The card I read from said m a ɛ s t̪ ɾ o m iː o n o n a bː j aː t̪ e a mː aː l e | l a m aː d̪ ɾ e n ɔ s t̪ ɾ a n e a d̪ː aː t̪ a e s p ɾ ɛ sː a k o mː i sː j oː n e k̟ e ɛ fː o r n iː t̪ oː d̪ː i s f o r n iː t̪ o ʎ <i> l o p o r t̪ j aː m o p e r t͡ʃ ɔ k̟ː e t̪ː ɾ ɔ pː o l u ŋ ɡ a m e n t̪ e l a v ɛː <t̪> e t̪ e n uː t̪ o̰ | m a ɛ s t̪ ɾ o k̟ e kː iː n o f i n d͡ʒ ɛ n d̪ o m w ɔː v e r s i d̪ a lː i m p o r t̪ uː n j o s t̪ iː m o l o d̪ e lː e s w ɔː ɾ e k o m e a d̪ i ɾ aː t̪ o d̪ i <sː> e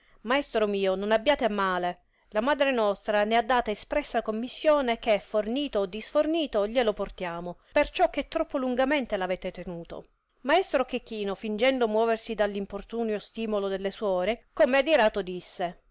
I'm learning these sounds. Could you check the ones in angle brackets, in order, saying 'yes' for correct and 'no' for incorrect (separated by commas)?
no, yes, yes